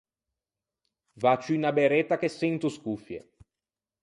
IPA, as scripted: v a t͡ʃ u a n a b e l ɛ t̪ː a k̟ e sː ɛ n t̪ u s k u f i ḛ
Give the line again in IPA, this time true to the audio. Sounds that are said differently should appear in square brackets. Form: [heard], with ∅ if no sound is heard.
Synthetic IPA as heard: v a t͡ʃ u [i] n a b e [ɾ] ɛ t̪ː a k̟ e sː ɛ n t̪ u s k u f [j] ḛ

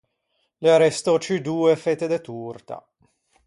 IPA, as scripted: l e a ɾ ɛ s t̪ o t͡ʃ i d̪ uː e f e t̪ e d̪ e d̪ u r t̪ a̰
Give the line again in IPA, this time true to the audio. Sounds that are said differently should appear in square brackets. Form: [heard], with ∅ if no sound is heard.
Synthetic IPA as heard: l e a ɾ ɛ s t̪ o t͡ʃ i d̪ uː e f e t̪ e d̪ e [t̪] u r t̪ a̰

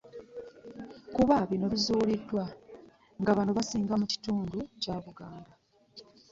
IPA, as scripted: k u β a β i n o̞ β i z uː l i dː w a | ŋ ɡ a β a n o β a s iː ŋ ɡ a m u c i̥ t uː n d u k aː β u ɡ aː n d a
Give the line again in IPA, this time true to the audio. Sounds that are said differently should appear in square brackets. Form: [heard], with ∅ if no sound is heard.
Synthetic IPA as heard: k u β a β i n o̞ β i z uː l i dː w a | ŋ ɡ a β a n o β a s iː ŋ ɡ a m u c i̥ t uː n d u [c] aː β u ɡ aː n d a

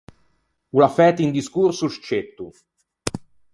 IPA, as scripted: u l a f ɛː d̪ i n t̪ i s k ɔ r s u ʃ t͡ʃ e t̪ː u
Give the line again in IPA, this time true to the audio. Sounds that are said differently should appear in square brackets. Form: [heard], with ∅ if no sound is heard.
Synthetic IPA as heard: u l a f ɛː [t̪] i n [d̪] i s k [u] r s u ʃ t͡ʃ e t̪ː u

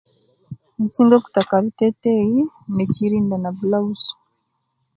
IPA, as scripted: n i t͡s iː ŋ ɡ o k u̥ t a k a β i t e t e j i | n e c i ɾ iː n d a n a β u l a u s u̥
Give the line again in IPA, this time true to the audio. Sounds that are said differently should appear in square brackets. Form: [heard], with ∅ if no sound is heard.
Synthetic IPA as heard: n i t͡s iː ŋ ɡ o k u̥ t a k a β i t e t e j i | n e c i ɾ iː n d a n a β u l a u s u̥

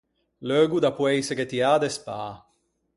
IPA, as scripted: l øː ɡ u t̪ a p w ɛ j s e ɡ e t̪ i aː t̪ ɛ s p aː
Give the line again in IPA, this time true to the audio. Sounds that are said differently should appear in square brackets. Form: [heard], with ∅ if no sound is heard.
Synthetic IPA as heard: l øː ɡ u [d̪] a p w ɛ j s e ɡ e t̪ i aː [d̪] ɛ s p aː

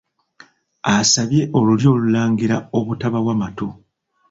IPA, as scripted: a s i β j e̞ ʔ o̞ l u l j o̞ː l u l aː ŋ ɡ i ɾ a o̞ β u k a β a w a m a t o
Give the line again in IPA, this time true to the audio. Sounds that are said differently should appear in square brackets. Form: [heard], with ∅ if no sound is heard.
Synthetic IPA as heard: a s [a] β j e̞ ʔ o̞ l u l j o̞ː l u l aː ŋ ɡ i ɾ a o̞ β u [t] a β a w a m a t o

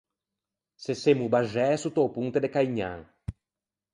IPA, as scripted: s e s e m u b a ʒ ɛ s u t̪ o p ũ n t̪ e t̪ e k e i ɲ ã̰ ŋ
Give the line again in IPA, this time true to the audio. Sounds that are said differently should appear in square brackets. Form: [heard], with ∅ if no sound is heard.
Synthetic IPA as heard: s e s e m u b a ʒ ɛ s u t̪ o p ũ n t̪ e [d̪] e k [a] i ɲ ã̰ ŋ

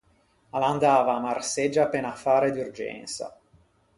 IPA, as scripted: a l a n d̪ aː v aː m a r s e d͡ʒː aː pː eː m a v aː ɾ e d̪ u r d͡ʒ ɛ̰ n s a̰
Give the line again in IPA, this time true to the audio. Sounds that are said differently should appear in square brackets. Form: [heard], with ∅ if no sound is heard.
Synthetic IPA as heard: a l a n d̪ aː v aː m a r s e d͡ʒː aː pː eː [n] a [f] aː ɾ e d̪ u r d͡ʒ ɛ̰ n s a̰

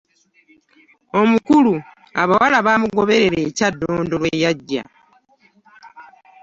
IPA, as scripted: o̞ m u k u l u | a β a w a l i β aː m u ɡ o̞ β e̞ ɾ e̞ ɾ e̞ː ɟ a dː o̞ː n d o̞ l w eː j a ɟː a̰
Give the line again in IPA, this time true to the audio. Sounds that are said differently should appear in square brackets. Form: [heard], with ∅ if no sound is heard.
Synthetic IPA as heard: o̞ m u k u l u | a β a w a l [a] β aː m u ɡ o̞ β e̞ ɾ e̞ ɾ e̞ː [c] a dː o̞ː n d o̞ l w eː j a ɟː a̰

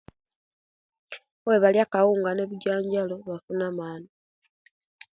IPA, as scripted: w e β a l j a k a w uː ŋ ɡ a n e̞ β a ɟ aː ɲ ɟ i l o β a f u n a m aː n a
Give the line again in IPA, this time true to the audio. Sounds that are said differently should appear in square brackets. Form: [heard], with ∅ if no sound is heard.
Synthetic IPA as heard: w e β a l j a k a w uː ŋ ɡ a n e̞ β [i] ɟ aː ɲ ɟ [a] l o β a f u n a m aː n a

